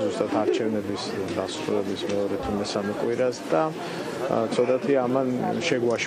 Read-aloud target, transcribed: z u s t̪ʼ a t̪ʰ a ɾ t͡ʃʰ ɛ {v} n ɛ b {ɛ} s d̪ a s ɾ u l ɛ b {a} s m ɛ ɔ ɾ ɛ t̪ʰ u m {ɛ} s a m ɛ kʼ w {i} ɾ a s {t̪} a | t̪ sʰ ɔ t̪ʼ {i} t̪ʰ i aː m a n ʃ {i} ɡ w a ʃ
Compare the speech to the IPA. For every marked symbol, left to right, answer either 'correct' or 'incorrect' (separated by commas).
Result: correct, incorrect, incorrect, correct, correct, incorrect, incorrect, incorrect